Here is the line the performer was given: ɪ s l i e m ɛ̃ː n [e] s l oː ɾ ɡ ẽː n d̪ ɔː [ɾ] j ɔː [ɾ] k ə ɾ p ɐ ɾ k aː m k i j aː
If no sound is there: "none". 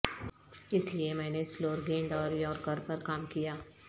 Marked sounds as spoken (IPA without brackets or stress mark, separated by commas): e, ɾ, ɾ